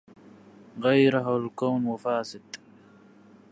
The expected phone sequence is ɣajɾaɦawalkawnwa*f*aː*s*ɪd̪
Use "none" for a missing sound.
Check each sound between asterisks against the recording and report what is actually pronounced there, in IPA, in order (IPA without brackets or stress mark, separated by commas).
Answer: f, s